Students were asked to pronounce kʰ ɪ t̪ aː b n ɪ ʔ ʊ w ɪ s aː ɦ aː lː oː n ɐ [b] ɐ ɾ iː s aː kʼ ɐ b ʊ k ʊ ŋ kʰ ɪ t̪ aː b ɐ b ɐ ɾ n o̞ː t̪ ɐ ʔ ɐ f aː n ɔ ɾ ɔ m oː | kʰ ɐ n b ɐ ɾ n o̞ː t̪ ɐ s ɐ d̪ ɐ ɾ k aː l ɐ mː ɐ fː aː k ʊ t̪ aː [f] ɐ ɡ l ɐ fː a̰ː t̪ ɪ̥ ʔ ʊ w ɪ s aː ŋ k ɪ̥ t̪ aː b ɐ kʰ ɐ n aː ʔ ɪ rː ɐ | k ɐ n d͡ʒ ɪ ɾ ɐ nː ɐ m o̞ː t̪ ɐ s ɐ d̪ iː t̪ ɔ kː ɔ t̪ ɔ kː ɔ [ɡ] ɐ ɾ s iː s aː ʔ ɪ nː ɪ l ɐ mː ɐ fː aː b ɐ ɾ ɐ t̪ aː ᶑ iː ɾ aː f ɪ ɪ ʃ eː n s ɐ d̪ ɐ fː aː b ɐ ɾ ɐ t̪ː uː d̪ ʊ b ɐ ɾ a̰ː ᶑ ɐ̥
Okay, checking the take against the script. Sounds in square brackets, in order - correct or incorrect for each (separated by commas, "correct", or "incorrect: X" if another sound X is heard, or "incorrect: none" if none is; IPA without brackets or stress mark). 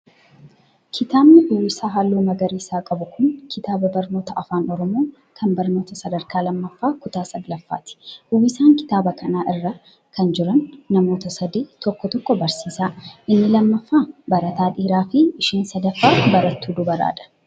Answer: incorrect: ɡ, incorrect: s, incorrect: b